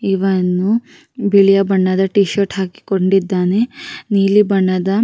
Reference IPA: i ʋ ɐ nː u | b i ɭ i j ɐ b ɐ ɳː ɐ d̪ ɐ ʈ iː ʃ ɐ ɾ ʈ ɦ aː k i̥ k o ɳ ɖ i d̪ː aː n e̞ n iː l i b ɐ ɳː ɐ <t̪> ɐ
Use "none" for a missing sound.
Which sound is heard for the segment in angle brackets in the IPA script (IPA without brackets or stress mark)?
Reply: d̪